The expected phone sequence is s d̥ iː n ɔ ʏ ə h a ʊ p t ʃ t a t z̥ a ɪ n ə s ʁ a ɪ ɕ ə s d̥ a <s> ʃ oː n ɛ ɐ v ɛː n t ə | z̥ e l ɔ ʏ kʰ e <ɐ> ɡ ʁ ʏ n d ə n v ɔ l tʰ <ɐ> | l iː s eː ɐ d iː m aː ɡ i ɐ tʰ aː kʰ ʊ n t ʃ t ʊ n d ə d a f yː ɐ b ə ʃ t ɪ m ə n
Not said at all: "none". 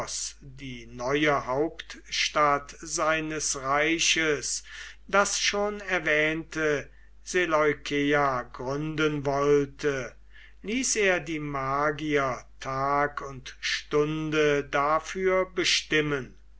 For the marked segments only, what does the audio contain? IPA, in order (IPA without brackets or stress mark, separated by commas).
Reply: s, a, ə